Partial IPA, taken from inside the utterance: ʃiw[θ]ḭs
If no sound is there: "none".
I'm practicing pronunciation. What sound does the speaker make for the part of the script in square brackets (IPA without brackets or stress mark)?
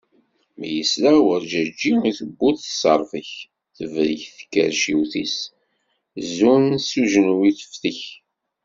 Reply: θ